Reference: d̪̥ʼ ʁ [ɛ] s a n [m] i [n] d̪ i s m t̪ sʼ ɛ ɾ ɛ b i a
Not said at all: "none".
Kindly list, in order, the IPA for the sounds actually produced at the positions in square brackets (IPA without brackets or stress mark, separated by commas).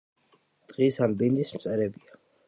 i, b, n